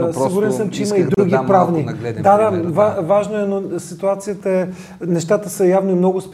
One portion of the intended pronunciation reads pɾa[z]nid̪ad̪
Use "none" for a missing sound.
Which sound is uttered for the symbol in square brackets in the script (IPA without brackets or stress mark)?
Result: v